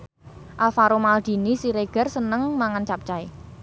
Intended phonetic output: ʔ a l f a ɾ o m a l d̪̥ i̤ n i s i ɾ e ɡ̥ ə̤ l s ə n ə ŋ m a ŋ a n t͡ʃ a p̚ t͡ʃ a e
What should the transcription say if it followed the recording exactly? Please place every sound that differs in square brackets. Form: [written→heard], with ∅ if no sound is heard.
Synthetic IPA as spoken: ʔ a l f a ɾ o m a l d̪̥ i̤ n i s i ɾ e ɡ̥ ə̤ [l→r] s ə n ə ŋ m a ŋ a n t͡ʃ a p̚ t͡ʃ a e